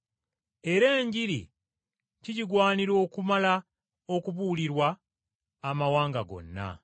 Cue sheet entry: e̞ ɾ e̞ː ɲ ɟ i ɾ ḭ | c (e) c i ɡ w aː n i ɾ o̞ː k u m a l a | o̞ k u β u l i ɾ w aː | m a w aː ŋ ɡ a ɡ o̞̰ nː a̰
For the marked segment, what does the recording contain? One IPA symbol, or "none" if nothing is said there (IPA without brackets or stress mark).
i